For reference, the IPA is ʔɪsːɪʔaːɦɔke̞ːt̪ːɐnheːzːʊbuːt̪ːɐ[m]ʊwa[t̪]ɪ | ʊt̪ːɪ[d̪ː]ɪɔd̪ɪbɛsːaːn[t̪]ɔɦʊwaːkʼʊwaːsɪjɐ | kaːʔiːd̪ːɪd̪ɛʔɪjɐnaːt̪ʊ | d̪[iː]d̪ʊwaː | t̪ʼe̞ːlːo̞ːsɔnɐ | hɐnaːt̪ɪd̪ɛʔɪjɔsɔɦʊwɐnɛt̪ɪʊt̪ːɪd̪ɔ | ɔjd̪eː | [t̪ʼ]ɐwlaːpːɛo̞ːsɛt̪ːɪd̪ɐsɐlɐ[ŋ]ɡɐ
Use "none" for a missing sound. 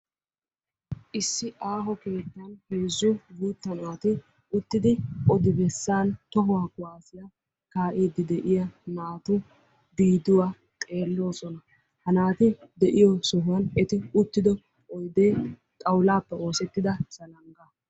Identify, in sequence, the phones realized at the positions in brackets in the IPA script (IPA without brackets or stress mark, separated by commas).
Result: n, t̪, d̪, t̪, iː, t̪ʼ, ŋ